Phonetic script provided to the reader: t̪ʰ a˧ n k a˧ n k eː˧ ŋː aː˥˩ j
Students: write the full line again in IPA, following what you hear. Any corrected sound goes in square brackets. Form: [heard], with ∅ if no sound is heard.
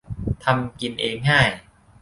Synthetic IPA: t̪ʰ a˧ [m] k [i˧] n [ʔ] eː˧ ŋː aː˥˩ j